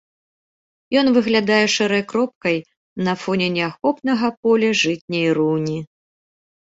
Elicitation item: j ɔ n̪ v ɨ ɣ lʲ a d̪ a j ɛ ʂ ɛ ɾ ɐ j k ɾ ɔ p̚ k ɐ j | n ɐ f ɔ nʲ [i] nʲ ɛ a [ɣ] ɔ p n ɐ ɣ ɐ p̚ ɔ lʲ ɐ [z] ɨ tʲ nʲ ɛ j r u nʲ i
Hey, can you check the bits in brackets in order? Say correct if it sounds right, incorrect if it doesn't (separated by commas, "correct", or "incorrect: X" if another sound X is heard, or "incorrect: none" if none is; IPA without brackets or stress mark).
incorrect: ɛ, incorrect: x, incorrect: ʐ